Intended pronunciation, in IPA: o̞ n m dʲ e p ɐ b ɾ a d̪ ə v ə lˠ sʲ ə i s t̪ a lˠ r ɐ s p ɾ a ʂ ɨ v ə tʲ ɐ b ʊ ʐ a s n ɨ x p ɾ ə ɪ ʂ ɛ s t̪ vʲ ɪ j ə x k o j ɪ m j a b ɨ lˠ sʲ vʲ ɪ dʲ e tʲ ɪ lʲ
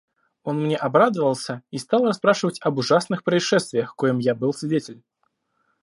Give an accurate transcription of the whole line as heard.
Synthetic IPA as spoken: o̞ n m nʲ e ʔ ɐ b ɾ a d̪ ə v ə lˠ sʲ ə i s t̪ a lˠ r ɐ s p ɾ a ʂ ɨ v ə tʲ ɐ b ʊ ʐ a s n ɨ x p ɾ ə ɪ ʂ ɛ s t̪ vʲ ɪ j ə x k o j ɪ m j a b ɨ lˠ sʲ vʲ ɪ dʲ e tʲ ɪ lʲ